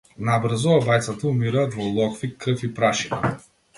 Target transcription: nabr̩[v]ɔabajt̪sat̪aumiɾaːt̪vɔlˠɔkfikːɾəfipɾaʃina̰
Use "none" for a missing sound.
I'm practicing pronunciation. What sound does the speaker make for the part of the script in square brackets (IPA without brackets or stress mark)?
z